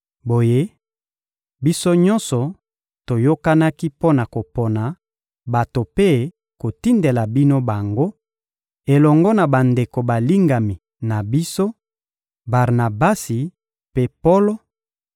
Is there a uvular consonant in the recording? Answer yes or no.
yes